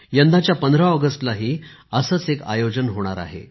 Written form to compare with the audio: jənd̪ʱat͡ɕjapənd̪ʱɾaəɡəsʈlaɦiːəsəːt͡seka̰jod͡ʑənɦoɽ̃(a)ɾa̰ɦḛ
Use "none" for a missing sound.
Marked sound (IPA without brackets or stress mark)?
a